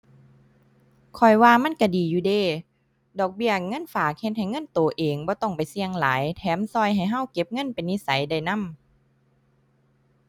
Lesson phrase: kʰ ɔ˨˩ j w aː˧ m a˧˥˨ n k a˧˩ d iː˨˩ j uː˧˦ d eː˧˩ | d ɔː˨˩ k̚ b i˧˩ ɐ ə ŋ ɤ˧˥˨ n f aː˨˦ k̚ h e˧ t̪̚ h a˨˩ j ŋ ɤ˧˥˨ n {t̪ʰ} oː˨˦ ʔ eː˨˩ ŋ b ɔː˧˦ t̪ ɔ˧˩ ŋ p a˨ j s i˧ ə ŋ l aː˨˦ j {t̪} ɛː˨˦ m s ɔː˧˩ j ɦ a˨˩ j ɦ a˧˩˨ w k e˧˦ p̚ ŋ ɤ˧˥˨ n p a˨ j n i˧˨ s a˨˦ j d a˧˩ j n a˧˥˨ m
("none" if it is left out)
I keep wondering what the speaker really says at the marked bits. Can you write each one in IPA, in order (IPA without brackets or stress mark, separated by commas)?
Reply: t̪, t̪ʰ